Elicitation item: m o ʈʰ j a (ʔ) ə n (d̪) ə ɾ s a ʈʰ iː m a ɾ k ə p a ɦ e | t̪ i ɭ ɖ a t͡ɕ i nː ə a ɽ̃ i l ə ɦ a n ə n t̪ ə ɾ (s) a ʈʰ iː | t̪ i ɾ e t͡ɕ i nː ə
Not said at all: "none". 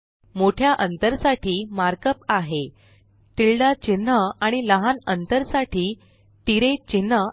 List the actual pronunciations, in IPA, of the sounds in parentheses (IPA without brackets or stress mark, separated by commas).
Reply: ʔ, t̪, s